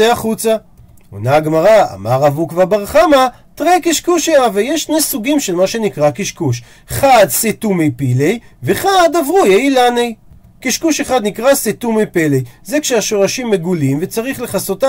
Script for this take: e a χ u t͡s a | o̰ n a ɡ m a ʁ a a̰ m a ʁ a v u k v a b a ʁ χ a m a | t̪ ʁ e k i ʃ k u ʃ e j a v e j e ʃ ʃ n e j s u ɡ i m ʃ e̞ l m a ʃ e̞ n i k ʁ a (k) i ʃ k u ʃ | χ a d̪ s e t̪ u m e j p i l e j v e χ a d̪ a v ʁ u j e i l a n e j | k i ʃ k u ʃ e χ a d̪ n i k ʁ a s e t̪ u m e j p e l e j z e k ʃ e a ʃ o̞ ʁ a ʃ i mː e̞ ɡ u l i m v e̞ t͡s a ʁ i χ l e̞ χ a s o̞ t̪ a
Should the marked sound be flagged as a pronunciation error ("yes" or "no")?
no